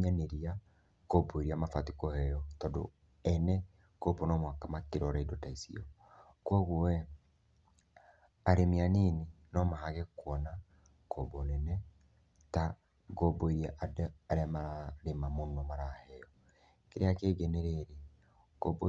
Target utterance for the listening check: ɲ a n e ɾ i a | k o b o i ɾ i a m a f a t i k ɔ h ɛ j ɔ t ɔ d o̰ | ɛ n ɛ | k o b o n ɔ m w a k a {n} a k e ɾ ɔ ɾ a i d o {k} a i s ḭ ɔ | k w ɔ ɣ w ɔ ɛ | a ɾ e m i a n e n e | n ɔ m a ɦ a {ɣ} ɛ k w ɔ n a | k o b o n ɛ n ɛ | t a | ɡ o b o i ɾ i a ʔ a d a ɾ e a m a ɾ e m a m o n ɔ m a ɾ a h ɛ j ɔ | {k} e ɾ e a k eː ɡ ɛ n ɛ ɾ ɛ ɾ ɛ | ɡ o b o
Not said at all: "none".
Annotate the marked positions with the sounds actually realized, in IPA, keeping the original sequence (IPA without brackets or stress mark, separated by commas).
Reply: m, t, ɣ, k